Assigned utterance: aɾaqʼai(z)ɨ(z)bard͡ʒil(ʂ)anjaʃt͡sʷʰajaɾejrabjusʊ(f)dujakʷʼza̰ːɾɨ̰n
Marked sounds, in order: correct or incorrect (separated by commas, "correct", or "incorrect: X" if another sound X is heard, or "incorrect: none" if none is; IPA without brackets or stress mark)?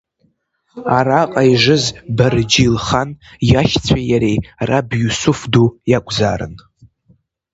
incorrect: ʐ, correct, incorrect: χ, correct